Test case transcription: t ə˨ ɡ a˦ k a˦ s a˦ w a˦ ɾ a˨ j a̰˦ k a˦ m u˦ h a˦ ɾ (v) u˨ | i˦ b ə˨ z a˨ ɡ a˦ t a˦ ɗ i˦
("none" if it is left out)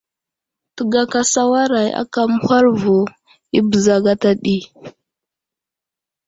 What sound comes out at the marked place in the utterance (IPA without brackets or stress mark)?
v